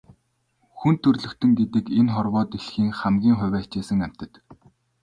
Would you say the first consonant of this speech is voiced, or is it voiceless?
voiceless